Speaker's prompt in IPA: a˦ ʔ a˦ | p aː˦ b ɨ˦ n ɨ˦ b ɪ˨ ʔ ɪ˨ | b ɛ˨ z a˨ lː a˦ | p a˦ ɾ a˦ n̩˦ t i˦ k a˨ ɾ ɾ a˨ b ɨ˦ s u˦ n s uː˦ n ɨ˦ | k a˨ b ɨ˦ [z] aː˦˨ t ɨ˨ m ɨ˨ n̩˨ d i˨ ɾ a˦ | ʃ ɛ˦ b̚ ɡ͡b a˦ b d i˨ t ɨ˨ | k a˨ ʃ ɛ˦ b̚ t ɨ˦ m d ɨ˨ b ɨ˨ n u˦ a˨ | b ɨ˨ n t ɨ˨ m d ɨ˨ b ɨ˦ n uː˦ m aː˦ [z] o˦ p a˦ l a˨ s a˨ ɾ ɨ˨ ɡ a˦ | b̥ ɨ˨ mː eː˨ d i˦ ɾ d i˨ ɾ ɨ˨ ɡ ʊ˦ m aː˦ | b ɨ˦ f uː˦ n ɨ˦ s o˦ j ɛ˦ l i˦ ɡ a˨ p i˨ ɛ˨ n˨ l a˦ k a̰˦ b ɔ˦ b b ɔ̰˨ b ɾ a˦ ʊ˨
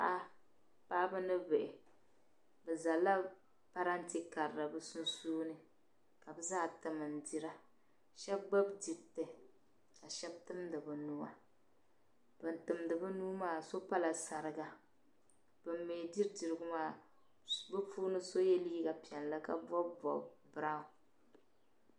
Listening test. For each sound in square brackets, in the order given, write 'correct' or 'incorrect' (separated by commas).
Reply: correct, incorrect